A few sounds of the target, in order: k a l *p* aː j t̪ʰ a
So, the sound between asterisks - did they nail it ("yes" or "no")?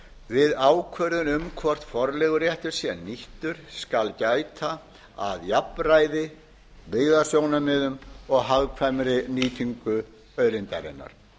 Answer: no